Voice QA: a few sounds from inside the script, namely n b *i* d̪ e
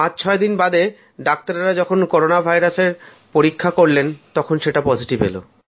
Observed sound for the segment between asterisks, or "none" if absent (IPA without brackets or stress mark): a